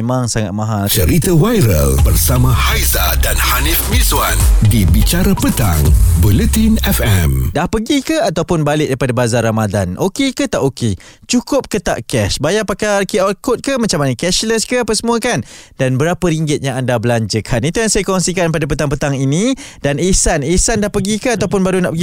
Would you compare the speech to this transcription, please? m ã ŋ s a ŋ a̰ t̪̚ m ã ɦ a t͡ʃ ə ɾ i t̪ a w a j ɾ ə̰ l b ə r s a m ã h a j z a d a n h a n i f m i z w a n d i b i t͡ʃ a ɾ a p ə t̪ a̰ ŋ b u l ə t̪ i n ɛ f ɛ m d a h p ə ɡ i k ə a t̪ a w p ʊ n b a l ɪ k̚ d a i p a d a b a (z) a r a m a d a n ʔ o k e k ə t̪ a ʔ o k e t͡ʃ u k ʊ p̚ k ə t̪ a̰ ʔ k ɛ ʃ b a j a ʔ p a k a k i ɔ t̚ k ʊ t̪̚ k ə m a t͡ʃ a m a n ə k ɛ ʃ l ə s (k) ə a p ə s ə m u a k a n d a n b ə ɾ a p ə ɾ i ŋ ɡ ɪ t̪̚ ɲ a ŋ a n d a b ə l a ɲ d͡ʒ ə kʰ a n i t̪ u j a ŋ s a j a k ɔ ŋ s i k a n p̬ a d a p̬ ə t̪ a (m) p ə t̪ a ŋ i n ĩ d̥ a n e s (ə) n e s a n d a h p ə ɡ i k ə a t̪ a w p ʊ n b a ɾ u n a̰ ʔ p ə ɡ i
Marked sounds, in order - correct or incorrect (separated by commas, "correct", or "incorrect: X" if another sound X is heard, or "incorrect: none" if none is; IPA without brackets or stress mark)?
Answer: correct, correct, incorrect: ŋ, incorrect: a